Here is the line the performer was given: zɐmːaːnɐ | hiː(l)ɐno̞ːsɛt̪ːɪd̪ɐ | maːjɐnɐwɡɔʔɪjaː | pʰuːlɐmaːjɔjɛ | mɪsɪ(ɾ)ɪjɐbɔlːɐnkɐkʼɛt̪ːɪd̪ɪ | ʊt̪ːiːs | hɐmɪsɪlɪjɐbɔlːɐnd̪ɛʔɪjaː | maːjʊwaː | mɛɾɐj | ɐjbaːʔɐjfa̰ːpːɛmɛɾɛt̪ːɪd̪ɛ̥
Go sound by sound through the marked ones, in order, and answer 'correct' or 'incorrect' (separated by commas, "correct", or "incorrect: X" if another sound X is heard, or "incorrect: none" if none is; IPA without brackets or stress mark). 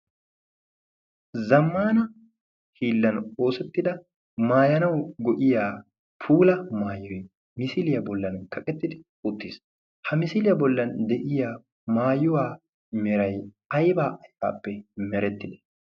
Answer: incorrect: lː, incorrect: l